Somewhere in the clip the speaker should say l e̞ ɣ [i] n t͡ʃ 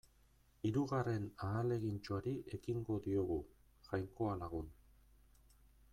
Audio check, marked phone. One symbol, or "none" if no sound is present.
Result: i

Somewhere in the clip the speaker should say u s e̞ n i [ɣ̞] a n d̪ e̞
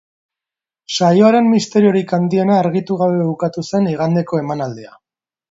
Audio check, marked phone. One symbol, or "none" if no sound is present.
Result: ɣ̞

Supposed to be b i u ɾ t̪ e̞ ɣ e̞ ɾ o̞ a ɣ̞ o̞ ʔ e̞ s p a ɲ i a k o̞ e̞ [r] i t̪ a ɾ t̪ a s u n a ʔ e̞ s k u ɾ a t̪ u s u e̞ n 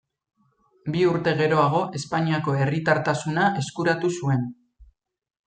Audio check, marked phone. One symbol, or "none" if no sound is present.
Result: r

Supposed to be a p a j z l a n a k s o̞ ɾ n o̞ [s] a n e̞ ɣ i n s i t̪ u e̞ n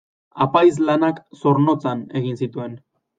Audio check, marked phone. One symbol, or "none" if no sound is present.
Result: t͡s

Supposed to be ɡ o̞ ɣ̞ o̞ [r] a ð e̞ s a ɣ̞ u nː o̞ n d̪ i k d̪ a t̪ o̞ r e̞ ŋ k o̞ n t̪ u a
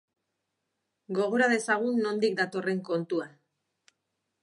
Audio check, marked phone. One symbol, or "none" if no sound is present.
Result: ɾ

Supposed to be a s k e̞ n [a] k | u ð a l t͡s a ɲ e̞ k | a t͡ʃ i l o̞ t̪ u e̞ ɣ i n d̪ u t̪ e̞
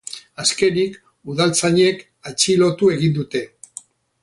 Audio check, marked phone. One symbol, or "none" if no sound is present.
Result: i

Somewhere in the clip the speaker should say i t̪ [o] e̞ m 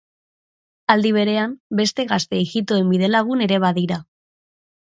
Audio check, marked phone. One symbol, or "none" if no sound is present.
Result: o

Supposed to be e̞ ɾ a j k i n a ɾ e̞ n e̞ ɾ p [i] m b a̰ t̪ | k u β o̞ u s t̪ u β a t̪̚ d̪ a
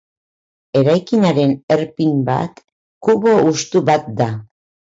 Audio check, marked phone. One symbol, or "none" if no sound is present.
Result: i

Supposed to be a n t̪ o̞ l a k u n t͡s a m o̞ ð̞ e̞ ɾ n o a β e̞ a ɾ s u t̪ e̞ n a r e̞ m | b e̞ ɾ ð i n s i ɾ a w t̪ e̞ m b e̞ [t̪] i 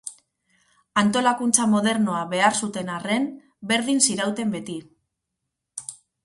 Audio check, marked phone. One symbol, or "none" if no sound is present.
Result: t̪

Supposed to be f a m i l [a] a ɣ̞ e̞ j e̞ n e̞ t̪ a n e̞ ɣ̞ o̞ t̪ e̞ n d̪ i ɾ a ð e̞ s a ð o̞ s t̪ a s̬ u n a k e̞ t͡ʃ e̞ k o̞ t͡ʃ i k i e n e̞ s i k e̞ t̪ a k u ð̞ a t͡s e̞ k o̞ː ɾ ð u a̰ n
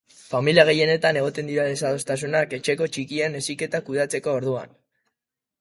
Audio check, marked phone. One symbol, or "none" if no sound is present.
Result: i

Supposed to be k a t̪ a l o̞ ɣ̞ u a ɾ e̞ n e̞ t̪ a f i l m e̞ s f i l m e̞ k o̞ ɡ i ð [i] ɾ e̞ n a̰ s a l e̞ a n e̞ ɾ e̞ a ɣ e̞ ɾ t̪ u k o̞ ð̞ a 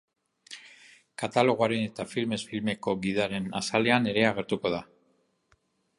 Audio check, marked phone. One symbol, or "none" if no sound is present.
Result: a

